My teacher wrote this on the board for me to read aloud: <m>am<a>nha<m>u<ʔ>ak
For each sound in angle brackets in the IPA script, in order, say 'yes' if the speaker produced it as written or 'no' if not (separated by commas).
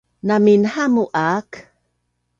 no, no, yes, yes